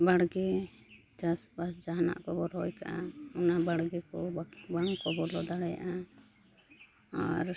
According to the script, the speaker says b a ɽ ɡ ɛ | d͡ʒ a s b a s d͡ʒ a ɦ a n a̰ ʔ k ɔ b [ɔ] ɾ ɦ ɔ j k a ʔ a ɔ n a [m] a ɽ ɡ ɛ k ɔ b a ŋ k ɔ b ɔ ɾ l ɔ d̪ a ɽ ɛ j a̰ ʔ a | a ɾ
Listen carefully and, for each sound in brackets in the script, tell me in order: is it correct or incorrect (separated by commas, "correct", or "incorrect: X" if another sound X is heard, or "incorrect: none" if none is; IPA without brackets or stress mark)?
correct, incorrect: b